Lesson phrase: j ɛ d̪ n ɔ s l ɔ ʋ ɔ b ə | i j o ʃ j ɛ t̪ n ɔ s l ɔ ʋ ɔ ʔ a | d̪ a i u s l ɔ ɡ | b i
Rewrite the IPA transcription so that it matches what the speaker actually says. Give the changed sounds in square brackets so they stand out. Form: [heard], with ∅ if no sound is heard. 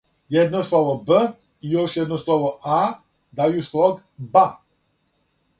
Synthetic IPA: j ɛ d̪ n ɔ s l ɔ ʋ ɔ b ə | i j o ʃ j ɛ [d̪] n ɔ s l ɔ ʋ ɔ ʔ a | d̪ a [j] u s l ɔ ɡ | b [a]